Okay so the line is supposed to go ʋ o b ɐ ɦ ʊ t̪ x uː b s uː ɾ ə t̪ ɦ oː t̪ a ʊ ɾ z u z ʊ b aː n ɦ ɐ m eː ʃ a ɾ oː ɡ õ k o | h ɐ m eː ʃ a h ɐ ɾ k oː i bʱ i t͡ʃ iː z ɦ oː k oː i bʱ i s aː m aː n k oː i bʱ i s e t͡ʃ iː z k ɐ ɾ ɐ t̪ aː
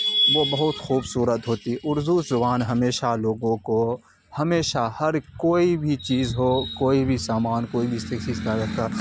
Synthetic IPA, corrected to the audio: ʋ o b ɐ ɦ ʊ t̪ x uː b s uː ɾ ə t̪ ɦ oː t̪ i ʊ ɾ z u z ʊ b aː n ɦ ɐ m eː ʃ a l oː ɡ õ k o | h ɐ m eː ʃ a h ɐ ɾ k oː i bʱ i t͡ʃ iː z ɦ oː k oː i bʱ i s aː m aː n k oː i bʱ i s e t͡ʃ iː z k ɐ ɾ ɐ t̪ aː